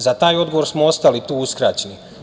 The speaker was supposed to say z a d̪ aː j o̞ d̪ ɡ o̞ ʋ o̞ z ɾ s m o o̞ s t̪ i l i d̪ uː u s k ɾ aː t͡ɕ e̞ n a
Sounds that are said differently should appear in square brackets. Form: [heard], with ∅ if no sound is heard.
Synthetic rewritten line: z a [t̪] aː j o̞ d̪ ɡ o̞ ʋ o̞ [∅] ɾ s m o o̞ s t̪ [a] l i [t̪] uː u s k ɾ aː t͡ɕ e̞ n [i]